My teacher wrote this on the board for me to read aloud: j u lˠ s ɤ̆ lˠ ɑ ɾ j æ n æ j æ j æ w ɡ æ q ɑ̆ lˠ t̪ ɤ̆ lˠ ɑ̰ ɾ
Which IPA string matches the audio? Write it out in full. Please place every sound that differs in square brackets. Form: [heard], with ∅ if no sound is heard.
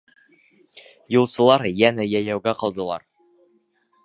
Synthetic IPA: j u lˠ s ɤ̆ lˠ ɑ ɾ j æ n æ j æ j æ w ɡ æ q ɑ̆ lˠ [d̪] ɤ̆ lˠ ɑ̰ ɾ